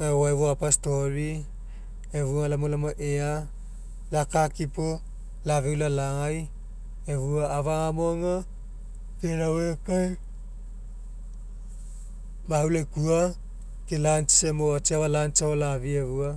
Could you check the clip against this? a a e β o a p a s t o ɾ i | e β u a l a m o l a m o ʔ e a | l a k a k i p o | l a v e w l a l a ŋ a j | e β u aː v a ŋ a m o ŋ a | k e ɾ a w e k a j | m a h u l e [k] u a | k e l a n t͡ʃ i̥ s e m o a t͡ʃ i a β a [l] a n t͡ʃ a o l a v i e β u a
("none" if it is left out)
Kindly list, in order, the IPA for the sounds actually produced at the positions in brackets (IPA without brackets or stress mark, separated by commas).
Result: k, l